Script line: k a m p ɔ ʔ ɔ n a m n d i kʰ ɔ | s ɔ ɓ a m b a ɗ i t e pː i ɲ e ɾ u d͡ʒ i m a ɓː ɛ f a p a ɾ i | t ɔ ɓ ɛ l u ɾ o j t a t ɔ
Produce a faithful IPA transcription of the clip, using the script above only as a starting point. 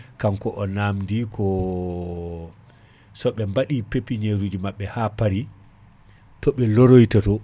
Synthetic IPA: k a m k ɔ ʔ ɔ n a m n d i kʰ ɔ | s ɔ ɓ ɛ m b a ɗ i p e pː i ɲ e ɾ u d͡ʒ i m a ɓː ɛ h a p a ɾ i | t ɔ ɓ ɛ l o ɾ o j t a t ɔ